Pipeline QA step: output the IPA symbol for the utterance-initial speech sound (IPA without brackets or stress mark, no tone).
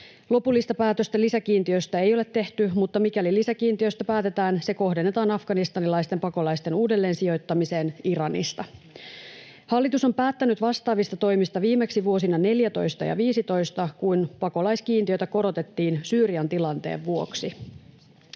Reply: l